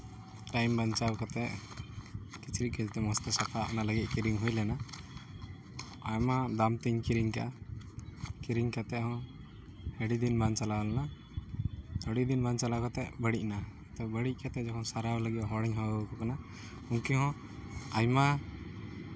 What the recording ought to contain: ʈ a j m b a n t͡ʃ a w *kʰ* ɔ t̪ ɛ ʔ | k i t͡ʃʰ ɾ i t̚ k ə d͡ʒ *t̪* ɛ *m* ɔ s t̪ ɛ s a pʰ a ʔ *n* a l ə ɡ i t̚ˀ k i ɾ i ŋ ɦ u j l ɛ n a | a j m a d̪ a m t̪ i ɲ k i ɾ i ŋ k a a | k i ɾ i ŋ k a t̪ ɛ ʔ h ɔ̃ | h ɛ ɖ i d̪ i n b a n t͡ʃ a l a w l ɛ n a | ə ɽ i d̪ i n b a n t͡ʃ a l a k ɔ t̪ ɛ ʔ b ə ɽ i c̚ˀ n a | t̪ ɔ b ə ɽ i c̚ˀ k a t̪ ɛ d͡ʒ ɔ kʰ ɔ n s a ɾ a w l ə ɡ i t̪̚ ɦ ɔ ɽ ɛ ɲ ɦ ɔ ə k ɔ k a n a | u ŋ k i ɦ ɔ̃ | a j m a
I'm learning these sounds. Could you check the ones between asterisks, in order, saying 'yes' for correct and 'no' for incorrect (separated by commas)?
no, yes, yes, yes